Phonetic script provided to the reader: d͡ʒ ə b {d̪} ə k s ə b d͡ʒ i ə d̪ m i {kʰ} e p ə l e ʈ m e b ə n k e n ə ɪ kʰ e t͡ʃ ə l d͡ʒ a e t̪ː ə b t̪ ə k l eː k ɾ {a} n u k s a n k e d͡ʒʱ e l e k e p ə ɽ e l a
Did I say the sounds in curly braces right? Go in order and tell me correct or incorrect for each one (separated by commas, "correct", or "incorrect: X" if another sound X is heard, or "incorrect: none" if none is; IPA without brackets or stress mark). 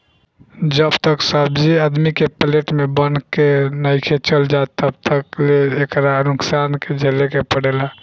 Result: incorrect: t̪, incorrect: k, correct